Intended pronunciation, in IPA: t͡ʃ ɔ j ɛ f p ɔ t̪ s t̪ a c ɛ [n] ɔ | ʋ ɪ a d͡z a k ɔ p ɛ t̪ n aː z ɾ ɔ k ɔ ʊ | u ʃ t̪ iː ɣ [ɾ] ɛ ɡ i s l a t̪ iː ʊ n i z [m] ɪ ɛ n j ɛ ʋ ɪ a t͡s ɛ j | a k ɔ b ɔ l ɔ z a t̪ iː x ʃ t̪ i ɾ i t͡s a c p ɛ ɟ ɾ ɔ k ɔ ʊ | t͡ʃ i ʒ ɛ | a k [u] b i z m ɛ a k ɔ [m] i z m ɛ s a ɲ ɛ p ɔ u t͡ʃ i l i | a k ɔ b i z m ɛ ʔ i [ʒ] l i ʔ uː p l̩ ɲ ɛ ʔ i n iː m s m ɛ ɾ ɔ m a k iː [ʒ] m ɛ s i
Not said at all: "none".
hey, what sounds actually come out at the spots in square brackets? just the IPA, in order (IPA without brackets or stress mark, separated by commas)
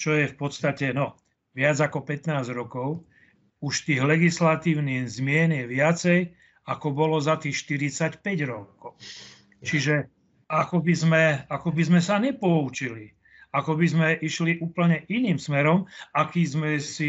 n, l, m, ɔ, b, ʃ, z